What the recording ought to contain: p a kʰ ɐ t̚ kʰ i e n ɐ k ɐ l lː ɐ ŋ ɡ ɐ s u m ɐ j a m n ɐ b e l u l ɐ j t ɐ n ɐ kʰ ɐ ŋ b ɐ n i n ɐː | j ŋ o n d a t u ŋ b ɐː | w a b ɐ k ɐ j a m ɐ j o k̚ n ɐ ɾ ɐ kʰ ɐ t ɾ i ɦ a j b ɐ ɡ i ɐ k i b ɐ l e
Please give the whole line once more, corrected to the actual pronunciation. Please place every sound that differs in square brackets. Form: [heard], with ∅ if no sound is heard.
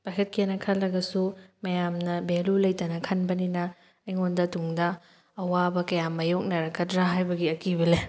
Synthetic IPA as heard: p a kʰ ɐ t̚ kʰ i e n ɐ [kʰ] ɐ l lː ɐ [∅] ɡ ɐ s u m ɐ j a m n ɐ b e l u l ɐ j t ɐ n ɐ kʰ ɐ [n] b ɐ n i n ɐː | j ŋ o n d [ɐ] t u ŋ [d] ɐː | w a b ɐ k ɐ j a m ɐ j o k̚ n ɐ ɾ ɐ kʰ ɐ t ɾ [a] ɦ a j b ɐ ɡ i ɐ k i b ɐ l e